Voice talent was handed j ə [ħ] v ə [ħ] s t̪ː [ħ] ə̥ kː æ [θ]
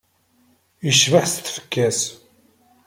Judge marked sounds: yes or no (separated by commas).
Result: no, yes, no, no